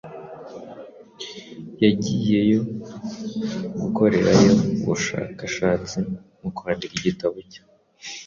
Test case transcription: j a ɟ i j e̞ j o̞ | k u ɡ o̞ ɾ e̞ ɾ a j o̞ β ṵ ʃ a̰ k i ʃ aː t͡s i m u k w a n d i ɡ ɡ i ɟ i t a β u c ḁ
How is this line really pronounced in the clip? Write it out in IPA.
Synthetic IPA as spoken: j a ɟ i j e̞ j o̞ | ɡ u k o̞ ɾ e̞ ɾ a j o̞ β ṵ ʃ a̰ k a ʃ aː t͡s i m u k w a n d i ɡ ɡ i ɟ i t a β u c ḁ

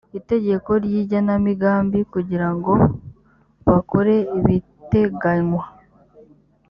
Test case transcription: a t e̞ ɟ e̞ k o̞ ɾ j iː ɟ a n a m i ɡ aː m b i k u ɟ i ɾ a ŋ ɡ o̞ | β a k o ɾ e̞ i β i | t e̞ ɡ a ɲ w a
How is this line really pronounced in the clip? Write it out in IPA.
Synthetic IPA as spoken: i t e̞ ɟ e̞ k o̞ ɾ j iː ɟ a n a m i ɡ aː m b i k u ɟ i ɾ a ŋ ɡ o̞ | β a k o ɾ e̞ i β i | t e̞ ɡ a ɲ w a

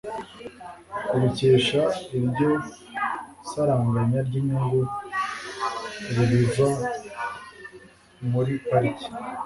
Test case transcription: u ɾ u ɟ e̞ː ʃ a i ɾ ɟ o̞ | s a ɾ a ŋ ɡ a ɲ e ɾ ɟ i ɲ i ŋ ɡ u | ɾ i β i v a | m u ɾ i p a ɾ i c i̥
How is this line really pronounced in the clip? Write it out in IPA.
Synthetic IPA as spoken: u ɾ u c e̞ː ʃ a i ɾ ɟ o̞ | s a ɾ a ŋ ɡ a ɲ a ɾ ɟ i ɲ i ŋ ɡ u | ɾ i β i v a | m u ɾ i p a ɾ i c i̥

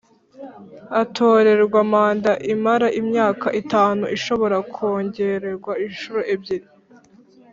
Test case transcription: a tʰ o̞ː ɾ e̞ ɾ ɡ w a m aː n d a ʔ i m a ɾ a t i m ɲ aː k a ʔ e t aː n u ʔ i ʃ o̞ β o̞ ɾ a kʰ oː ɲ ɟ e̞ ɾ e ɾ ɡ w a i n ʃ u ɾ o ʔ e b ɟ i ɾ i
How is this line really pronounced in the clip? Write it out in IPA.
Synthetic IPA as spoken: a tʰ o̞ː ɾ e̞ ɾ ɡ w a m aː n d a ʔ i m a ɾ a ʔ i m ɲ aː k a ʔ i t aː n u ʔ i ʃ o̞ β o̞ ɾ a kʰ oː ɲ ɟ e̞ ɾ e ɾ ɡ w a i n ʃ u ɾ o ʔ e b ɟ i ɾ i

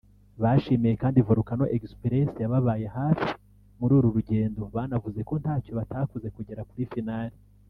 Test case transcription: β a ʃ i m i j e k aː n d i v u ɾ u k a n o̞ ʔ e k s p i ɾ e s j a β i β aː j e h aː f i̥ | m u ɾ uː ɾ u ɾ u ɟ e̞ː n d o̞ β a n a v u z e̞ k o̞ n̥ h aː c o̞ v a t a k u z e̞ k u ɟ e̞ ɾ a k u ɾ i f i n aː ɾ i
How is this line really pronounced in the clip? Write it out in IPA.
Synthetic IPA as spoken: β a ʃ i m i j e k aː n d i v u ɾ u k a n o̞ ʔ e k s p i ɾ e s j a β a β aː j e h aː f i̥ | m u ɾ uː ɾ u ɾ u ɟ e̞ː n d o̞ β a n a v u z e̞ k o̞ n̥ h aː c o̞ β a t a k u z e̞ k u ɟ e̞ ɾ a k u ɾ i f i n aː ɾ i

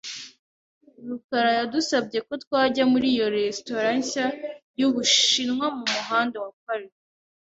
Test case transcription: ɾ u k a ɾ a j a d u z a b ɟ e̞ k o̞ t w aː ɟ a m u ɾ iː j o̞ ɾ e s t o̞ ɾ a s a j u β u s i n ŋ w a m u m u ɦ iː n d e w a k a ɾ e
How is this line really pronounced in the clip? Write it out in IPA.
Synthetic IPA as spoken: ɾ u k a ɾ a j a d u s a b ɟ e̞ k o̞ t w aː ɟ a m u ɾ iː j o̞ ɾ e s t o̞ ɾ a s a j u β u ʃ i n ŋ w a m u m u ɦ aː n d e w a k a ɾ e

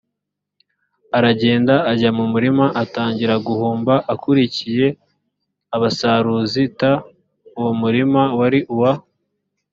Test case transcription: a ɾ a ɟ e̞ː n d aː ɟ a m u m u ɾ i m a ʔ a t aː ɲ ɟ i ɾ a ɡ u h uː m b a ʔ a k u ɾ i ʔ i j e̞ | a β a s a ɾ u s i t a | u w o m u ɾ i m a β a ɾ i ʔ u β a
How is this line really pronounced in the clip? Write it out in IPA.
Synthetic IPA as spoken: a ɾ a ɟ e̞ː n d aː ɟ a m u m u ɾ i m a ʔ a t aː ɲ ɟ i ɾ a ɡ u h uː m b a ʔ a k u ɾ i c i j e̞ | a β a s a ɾ u z i t a | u w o m u ɾ i m a w a ɾ i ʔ u w a

